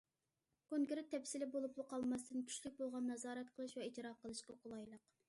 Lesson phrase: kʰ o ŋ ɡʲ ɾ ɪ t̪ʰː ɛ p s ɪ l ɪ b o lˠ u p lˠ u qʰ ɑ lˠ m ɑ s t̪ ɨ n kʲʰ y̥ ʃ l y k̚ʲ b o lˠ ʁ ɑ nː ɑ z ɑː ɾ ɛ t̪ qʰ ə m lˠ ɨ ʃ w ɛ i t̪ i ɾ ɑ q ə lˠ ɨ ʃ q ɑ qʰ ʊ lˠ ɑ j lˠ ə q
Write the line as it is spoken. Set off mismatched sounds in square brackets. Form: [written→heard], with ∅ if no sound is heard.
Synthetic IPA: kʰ o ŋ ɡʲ ɾ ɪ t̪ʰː ɛ p s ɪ l ɪ b o lˠ u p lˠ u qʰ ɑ lˠ m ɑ s t̪ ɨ n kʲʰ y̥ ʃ l y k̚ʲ b o lˠ ʁ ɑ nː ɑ z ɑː ɾ ɛ t̪ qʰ ə [m→∅] lˠ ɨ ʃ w ɛ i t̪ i ɾ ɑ q ə lˠ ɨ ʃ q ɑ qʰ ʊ lˠ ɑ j lˠ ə q